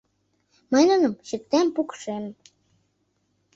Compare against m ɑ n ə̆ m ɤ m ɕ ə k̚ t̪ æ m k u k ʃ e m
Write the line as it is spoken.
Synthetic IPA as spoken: m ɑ n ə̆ n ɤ m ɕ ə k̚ t̪ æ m p u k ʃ e m

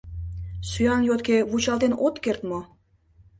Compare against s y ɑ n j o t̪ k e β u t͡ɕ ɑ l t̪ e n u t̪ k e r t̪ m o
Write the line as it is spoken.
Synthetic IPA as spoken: s y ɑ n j o t̪ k e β u t͡ɕ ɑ l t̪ e n o t̪ k e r t̪ m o

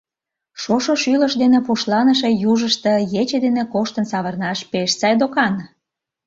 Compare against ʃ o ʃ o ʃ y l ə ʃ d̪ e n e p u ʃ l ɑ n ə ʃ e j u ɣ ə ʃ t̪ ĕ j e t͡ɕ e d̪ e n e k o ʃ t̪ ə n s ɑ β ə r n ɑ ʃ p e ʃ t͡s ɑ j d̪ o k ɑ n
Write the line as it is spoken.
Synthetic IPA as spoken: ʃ o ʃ o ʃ y l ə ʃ d̪ e n e p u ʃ l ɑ n ə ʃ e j u ʒ ə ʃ t̪ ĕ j e t͡ɕ e d̪ e n e k o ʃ t̪ ə n s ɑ β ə r n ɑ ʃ p e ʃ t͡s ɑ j d̪ o k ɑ n

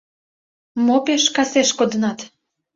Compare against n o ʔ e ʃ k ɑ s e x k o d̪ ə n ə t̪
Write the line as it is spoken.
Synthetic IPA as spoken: m o p e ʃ k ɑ s e ʃ k o d̪ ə n ɑ t̪

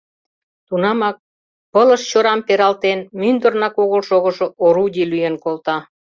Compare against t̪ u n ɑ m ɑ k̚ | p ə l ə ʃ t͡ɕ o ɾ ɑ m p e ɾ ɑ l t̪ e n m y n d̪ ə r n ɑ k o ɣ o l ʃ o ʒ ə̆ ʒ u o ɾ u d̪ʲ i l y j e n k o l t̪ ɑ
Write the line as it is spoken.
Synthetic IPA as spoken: t̪ u n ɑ m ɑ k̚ | p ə l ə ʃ t͡ɕ o ɾ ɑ m p e ɾ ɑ l t̪ e n m y n d̪ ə r n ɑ k o ɣ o l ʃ o ɣ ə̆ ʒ o o ɾ u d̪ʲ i l y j e n k o l t̪ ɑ

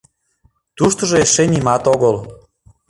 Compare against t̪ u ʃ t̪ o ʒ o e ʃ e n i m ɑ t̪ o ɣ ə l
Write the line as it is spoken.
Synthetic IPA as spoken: t̪ u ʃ t̪ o ʒ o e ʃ e n i m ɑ t̪ o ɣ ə l

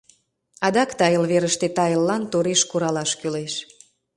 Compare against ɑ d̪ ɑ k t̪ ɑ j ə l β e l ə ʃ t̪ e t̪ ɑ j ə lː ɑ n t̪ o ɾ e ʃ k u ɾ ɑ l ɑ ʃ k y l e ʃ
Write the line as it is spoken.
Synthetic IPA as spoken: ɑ d̪ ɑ k t̪ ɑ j ə l β e ɾ ə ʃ t̪ e t̪ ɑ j ə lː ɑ n t̪ o ɾ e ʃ k u ɾ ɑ l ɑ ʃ k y l e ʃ

